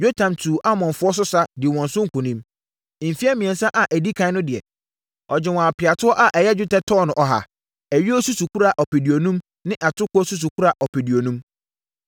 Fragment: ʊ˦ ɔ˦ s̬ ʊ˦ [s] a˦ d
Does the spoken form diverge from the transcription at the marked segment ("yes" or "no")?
no